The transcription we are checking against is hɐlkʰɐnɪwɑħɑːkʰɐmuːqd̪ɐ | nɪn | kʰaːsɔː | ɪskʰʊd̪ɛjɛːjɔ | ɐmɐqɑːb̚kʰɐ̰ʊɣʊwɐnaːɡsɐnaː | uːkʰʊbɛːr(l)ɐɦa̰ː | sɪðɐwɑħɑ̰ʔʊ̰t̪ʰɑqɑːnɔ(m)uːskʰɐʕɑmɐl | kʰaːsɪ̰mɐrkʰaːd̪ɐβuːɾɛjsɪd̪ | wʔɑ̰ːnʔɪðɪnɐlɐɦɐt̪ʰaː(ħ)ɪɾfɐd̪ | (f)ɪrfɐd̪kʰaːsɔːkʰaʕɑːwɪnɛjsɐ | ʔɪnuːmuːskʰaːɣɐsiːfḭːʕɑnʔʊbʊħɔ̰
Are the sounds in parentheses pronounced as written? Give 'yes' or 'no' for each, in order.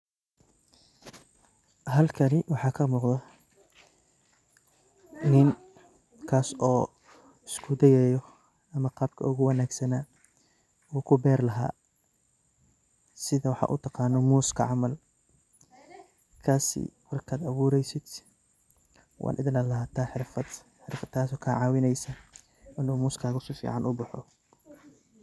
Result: yes, yes, yes, no

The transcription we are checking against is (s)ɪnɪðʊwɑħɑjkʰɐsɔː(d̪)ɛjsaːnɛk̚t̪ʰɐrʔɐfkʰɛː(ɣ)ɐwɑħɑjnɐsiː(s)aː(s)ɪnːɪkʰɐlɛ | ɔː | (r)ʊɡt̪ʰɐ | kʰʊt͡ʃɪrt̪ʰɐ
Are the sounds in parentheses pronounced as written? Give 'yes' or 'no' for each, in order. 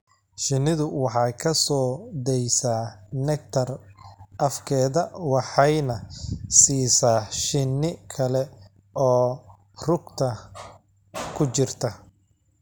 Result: no, yes, no, yes, no, yes

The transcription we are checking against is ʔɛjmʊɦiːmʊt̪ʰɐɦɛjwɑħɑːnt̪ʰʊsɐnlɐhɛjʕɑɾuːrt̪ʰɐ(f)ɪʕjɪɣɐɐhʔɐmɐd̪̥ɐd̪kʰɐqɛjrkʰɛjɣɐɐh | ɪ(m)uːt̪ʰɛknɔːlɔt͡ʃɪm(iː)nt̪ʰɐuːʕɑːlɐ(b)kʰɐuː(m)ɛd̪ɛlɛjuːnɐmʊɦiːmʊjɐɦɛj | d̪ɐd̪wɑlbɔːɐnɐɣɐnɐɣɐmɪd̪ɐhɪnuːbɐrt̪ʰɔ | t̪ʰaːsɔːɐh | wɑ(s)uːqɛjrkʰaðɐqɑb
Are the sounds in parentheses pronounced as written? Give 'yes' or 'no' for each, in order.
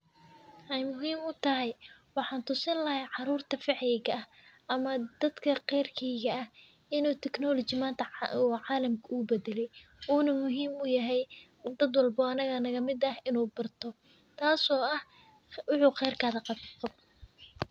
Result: yes, no, no, no, no, no

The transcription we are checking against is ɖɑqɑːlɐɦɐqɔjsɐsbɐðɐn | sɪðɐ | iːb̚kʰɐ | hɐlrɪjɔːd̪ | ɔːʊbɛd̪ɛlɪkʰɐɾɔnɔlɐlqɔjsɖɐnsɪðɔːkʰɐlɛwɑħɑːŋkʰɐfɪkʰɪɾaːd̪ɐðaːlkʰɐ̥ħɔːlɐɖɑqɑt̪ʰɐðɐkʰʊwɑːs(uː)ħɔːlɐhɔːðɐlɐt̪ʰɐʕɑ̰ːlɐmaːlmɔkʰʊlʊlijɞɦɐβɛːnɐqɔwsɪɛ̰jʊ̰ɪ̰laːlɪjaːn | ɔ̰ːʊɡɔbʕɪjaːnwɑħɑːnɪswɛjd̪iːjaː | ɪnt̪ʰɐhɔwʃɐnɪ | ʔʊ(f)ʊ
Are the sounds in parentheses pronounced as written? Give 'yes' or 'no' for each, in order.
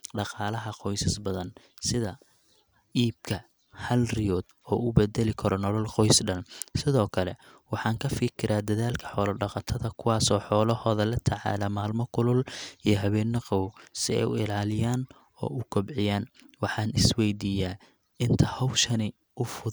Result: no, yes

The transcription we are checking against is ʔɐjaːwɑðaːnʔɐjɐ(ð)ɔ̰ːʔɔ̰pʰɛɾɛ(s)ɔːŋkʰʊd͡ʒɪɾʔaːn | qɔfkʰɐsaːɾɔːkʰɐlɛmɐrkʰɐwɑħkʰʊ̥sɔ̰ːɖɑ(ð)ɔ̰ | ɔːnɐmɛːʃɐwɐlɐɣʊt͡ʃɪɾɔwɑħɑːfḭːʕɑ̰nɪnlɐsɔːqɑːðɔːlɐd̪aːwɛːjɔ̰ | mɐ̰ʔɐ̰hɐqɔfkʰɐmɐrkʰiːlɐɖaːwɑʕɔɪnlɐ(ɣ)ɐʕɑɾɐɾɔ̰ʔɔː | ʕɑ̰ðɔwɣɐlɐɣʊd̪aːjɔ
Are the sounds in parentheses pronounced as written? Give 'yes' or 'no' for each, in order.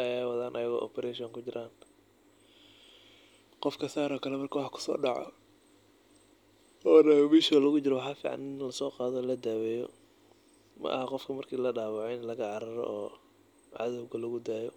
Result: no, no, no, yes

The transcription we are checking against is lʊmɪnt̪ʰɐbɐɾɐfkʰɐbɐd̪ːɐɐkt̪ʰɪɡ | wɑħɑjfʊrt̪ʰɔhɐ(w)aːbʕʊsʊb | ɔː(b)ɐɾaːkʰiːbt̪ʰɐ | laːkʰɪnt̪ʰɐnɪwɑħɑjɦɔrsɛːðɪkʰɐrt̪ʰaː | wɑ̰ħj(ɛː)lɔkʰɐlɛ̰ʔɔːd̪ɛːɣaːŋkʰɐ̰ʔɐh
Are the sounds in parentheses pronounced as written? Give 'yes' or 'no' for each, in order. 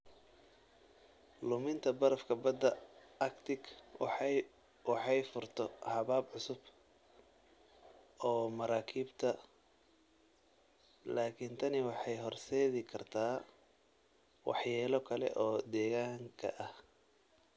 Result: no, no, yes

